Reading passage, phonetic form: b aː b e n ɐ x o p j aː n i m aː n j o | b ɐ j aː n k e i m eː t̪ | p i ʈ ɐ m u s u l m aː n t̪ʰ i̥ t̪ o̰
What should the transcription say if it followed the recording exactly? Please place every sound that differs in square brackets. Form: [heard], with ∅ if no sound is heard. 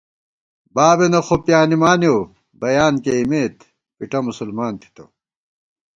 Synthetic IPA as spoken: b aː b e n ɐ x o p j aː n i m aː n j o | b ɐ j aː n k e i m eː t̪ | p i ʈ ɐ m u s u l m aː n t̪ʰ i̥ t̪ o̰